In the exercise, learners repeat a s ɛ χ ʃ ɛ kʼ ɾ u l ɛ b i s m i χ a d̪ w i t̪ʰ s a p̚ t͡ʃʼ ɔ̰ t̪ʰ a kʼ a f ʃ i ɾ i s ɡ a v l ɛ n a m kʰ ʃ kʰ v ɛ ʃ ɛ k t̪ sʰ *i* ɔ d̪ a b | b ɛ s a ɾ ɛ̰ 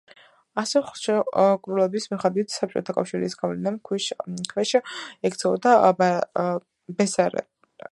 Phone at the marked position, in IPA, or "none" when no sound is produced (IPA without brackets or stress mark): ɛ